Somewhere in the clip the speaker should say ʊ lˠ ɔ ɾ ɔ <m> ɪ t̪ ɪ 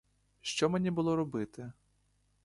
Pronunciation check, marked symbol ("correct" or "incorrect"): incorrect